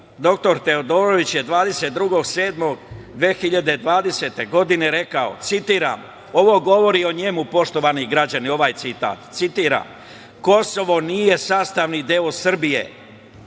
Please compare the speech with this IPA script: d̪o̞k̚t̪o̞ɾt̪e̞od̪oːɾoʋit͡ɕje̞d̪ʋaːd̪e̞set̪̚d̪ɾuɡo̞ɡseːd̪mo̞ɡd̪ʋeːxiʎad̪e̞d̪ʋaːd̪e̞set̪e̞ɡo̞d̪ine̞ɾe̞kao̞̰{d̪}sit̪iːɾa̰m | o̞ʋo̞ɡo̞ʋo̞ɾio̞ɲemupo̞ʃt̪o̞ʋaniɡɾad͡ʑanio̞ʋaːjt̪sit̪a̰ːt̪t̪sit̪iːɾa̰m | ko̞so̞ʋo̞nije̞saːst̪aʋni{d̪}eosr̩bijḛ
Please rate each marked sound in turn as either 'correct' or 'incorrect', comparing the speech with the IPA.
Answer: incorrect, correct

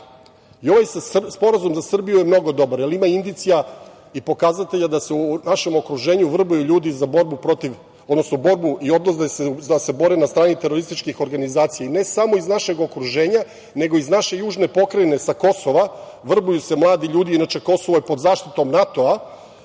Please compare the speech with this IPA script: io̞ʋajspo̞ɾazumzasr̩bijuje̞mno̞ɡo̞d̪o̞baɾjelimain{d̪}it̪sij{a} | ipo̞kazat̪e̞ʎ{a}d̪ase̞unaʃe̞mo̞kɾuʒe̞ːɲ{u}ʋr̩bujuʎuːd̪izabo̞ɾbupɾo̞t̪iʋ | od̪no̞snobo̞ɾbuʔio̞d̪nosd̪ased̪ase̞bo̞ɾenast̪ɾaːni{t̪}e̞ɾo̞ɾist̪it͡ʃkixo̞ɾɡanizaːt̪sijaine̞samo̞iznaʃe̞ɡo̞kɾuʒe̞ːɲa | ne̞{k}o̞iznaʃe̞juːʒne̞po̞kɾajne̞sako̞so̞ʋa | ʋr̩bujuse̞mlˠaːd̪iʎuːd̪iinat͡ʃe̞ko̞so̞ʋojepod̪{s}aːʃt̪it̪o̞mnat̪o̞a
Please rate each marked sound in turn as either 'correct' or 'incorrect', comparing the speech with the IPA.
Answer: correct, correct, correct, correct, correct, incorrect, incorrect

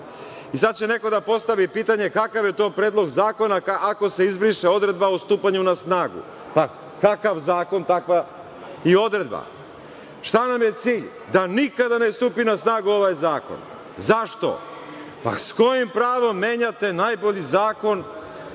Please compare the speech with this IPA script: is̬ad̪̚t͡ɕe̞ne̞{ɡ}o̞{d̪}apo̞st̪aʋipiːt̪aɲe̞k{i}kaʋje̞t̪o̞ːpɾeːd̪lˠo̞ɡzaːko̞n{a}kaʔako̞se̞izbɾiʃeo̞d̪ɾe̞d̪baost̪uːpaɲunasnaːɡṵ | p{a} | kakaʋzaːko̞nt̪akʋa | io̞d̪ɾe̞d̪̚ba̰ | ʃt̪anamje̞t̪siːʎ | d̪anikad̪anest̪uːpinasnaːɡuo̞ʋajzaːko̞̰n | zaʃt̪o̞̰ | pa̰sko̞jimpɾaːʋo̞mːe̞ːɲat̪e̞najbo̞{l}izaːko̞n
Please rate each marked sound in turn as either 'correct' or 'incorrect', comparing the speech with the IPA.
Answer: incorrect, correct, incorrect, correct, correct, incorrect

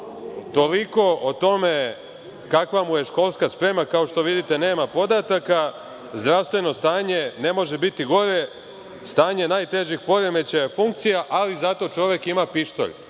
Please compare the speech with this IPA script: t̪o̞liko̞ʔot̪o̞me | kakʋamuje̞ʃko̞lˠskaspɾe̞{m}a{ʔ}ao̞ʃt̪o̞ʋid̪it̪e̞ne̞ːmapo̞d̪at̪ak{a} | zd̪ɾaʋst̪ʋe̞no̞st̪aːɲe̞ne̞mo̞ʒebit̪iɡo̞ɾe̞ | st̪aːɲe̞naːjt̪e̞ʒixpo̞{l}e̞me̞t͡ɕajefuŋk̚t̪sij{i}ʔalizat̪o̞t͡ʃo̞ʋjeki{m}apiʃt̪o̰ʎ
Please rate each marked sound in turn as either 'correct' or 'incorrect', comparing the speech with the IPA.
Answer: correct, incorrect, correct, incorrect, incorrect, correct

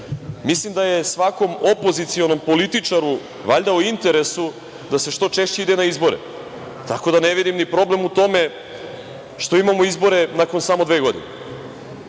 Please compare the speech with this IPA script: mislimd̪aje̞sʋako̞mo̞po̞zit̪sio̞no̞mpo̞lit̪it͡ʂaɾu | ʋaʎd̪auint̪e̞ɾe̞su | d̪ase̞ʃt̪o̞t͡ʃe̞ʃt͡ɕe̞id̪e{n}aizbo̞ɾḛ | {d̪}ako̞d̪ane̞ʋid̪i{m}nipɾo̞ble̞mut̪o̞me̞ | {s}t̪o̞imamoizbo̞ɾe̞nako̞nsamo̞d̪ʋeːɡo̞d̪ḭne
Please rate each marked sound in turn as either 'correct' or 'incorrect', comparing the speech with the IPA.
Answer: correct, incorrect, correct, incorrect

